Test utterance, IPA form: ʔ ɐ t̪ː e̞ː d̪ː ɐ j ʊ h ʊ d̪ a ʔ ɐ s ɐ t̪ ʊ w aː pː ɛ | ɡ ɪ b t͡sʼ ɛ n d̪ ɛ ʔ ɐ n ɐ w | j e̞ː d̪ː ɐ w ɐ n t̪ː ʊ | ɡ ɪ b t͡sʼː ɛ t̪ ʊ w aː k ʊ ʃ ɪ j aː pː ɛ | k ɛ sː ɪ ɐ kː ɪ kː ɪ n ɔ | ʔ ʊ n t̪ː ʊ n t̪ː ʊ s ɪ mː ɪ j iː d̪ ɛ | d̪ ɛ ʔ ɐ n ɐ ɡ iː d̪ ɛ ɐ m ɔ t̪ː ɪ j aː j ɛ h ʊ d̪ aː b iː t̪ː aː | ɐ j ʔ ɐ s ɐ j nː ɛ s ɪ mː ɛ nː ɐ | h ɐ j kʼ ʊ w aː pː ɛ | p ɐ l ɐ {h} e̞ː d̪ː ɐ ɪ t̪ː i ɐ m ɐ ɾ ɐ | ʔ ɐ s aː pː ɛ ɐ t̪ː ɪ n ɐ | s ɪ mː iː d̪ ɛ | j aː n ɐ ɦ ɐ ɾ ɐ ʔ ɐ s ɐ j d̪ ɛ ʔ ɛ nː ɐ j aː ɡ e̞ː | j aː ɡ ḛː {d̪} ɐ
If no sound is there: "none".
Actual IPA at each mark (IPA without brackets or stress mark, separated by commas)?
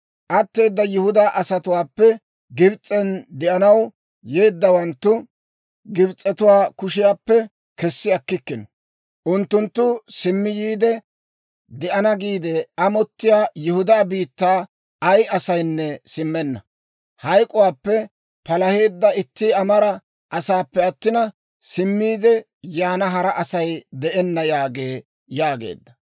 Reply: h, d̪ː